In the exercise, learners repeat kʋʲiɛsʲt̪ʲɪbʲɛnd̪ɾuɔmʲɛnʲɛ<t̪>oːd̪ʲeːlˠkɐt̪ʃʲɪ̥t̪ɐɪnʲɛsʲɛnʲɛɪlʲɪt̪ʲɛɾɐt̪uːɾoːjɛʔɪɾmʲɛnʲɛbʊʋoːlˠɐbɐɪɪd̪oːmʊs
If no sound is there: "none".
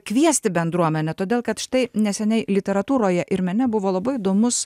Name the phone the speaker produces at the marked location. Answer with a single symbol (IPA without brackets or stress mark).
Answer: t̪